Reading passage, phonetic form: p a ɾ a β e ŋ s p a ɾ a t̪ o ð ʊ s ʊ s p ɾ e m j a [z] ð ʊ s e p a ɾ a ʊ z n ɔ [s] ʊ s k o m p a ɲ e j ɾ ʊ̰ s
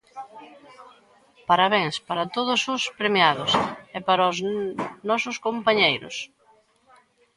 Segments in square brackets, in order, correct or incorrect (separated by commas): incorrect, correct